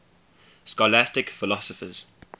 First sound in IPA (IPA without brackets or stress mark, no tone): s